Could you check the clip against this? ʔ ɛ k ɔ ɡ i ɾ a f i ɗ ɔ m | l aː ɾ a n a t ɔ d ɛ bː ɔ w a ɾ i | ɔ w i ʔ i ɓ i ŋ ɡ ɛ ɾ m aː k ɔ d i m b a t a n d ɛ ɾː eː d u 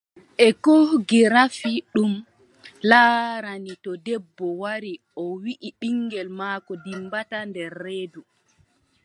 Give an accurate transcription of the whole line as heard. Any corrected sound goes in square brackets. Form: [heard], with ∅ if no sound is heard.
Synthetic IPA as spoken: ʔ ɛ k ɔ ɡ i ɾ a f i ɗ [u] m | l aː ɾ a n [i] t ɔ d ɛ bː ɔ w a ɾ i | ɔ w i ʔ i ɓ i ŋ ɡ ɛ [l] m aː k ɔ d i m b a t a n d ɛ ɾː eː d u